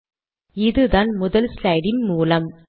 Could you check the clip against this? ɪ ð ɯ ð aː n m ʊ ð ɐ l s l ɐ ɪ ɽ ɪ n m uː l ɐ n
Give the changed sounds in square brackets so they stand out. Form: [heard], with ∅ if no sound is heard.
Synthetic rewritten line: ɪ ð ɯ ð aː n m ʊ ð ɐ l s l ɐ ɪ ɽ ɪ n m uː l ɐ [m]